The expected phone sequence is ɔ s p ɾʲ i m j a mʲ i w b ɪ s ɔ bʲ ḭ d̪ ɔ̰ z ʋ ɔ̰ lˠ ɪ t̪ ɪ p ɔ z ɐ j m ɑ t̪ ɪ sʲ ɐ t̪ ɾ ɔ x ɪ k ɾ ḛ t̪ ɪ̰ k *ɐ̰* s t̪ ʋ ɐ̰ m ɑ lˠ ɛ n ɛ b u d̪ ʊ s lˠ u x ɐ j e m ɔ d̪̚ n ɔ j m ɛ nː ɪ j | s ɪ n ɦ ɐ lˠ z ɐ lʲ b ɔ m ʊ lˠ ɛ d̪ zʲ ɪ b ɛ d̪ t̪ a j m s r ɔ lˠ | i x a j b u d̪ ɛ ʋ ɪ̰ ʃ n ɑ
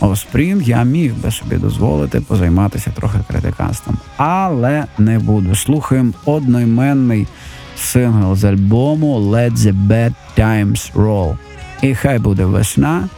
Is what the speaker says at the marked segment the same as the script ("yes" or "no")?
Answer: no